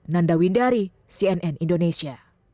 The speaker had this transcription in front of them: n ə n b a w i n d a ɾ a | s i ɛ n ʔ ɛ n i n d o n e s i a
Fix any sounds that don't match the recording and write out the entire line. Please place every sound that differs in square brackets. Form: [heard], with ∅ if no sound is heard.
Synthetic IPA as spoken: n [a] n [d] a w i n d a ɾ [i] | s i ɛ n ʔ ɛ n i n d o n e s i a